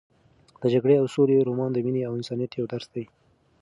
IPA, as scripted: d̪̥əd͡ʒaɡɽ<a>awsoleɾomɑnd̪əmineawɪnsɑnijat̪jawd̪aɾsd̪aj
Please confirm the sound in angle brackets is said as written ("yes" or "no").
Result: no